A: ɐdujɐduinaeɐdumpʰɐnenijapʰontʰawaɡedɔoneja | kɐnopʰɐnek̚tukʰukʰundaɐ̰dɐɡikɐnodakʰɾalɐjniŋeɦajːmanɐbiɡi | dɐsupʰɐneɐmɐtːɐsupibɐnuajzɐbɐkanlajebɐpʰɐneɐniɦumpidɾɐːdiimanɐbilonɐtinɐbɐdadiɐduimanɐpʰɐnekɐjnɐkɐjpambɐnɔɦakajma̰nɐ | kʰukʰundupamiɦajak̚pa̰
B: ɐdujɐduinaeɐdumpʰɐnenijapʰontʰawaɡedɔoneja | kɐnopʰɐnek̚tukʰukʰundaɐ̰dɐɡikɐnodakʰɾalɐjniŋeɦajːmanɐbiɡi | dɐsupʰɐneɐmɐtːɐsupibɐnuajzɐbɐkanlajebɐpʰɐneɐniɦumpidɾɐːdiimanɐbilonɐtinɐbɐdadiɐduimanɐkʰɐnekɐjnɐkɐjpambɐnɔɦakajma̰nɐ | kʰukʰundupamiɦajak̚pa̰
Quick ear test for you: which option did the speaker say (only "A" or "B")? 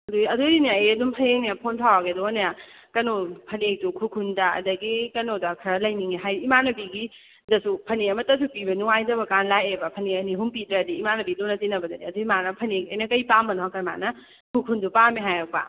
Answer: A